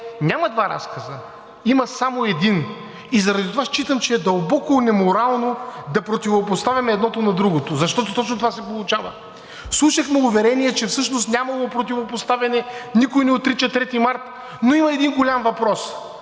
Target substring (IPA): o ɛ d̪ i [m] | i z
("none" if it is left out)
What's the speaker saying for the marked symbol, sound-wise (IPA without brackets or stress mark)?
n